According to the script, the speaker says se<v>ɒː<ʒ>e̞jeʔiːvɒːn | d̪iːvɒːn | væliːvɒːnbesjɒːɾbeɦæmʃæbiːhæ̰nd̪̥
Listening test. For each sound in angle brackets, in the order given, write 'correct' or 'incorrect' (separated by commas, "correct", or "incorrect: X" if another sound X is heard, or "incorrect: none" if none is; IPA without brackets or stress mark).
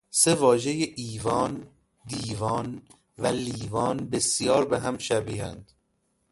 correct, correct